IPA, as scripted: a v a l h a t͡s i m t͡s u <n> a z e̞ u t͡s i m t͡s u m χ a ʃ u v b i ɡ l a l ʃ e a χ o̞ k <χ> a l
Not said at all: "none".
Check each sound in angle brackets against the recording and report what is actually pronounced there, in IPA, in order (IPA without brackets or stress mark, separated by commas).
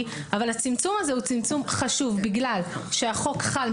m, χ